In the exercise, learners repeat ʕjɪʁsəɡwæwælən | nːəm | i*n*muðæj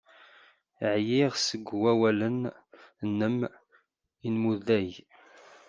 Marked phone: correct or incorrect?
correct